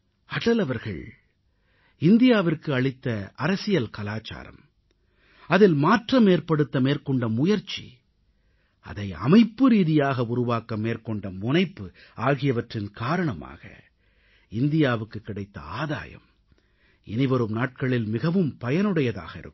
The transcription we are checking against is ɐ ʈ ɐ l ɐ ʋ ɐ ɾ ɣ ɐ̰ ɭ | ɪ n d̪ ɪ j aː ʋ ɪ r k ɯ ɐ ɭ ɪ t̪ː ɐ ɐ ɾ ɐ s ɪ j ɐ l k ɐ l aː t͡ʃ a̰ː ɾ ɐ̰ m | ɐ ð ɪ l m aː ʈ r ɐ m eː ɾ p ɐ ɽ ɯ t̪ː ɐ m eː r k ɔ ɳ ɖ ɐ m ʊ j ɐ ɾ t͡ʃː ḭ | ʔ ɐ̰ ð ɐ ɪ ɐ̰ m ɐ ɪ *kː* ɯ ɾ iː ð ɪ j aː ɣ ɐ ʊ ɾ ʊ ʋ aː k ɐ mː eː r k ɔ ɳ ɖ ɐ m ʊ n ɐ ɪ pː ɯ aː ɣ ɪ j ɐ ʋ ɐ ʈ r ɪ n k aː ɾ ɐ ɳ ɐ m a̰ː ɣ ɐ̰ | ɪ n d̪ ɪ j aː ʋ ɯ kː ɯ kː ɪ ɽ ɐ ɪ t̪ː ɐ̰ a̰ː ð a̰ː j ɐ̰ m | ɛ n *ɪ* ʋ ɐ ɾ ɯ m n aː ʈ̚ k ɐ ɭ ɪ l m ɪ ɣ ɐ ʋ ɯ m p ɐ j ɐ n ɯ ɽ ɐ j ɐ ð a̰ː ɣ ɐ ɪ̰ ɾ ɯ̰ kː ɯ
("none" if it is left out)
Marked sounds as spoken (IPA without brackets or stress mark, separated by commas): pː, ɪ